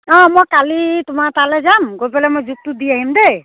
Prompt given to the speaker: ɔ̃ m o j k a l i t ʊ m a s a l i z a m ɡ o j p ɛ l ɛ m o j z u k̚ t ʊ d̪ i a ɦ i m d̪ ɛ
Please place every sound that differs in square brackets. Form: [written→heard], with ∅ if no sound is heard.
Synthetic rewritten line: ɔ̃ m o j k a l i t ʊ m a [s→t] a l [i→ɛ] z a m ɡ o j p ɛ l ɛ m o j z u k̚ t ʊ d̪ i a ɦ i m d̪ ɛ

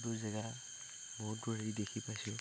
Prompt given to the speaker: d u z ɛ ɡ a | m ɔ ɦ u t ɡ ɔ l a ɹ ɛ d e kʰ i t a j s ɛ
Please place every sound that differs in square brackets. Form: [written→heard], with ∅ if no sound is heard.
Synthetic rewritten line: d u z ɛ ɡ a | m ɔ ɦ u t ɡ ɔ [l→ɹ] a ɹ [ɛ→i] d e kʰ i [t→p] a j s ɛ

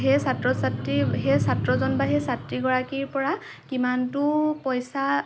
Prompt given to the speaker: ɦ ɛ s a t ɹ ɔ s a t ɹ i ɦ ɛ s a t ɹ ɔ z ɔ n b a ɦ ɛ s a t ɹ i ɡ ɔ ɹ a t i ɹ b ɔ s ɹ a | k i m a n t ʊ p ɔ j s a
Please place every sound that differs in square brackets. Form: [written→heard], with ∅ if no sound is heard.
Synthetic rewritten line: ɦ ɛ s a t ɹ ɔ s a t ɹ i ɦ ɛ s a t ɹ ɔ z ɔ n b a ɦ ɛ s a t ɹ i ɡ ɔ ɹ a [t→k] i ɹ [b→p] ɔ [s→∅] ɹ a | k i m a n t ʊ p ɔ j s a

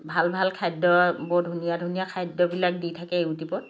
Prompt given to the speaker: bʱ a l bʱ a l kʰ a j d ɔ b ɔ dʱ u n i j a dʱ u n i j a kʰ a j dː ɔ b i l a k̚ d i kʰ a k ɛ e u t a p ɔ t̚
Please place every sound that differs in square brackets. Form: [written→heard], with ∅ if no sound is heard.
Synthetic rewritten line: bʱ a l bʱ a l kʰ a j d ɔ b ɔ dʱ u n i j a dʱ u n i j a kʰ a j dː ɔ b i l a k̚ d i [kʰ→tʰ] a k ɛ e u t [a→i] p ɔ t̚

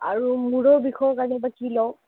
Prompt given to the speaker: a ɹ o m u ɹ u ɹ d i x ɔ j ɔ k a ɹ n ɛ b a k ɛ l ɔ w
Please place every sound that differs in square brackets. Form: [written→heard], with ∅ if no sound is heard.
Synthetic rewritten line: a ɹ [o→u] m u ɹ [u→ɔ] ɹ [d→b] i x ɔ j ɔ k a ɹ n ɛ b a k [ɛ→i] l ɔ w

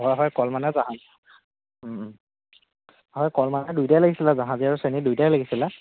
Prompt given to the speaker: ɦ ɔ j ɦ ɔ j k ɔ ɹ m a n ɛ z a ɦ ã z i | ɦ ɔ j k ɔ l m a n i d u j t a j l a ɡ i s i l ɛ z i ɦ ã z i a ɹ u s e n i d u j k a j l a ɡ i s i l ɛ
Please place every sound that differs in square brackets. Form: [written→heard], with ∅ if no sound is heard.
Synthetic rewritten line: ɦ ɔ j ɦ ɔ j k ɔ [ɹ→l] m a n ɛ z a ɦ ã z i | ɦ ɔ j k ɔ l m a n [i→ɛ] d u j t a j l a ɡ i s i l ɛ z [i→a] ɦ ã z i a ɹ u s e n i d u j [k→t] a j l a ɡ i s i l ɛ

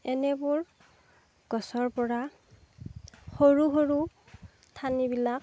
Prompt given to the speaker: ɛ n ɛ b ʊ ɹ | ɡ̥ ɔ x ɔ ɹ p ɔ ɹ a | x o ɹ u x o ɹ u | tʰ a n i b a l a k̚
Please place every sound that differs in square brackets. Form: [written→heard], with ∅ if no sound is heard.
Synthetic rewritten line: ɛ n ɛ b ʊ ɹ | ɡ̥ ɔ [x→s] ɔ ɹ p ɔ ɹ a | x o ɹ u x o ɹ u | tʰ a n i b [a→i] l a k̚

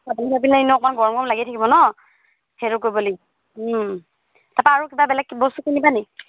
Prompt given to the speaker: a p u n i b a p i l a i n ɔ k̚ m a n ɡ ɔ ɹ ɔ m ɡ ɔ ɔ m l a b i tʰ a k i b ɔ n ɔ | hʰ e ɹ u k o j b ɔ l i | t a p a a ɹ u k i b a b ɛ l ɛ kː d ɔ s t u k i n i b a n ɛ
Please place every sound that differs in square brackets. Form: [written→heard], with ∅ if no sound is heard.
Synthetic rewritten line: a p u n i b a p i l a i n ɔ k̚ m a n ɡ ɔ ɹ ɔ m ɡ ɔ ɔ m l a [b→ɡ] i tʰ a k i b ɔ n ɔ | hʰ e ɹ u k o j b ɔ l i | t a p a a ɹ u k i b a b ɛ l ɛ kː [d→b] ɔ s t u k i n i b a n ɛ

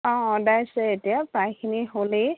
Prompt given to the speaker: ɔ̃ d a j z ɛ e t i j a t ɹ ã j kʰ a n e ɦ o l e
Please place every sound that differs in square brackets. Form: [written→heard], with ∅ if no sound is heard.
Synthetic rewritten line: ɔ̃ d a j [z→s] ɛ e t i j a [t→p] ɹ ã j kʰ [a→i] n [e→i] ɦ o l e

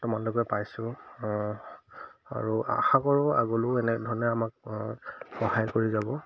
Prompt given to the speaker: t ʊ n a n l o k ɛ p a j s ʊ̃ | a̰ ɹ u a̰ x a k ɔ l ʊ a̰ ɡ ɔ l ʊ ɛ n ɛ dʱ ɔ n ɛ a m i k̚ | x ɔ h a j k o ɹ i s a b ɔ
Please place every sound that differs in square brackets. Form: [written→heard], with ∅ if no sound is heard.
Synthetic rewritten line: t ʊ [n→m] a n l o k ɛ p a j s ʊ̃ | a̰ ɹ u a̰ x a k ɔ [l→ɹ] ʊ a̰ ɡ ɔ l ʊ ɛ n ɛ dʱ ɔ n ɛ a m [i→a] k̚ | x ɔ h a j k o ɹ i [s→z] a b ɔ

